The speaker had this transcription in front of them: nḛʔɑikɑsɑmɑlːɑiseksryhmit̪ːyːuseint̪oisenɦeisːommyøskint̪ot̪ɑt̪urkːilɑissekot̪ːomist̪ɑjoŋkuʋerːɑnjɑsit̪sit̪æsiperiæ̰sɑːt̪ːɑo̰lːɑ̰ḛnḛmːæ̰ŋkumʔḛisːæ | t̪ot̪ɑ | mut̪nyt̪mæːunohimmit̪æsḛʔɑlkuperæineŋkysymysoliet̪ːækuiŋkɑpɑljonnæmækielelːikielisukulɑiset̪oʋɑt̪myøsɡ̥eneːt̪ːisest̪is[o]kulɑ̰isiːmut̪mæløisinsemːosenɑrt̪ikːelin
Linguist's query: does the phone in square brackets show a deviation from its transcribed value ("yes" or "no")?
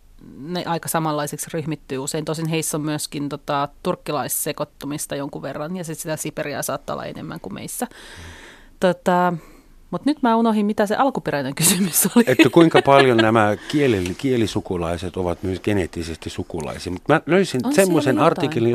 yes